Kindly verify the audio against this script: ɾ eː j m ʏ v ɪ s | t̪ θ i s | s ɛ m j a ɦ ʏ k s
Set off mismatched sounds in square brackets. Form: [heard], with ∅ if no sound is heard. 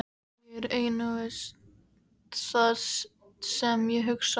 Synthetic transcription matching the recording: ɾ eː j [n] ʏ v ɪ s | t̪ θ [a] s | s ɛ m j [ɛ] ɦ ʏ k s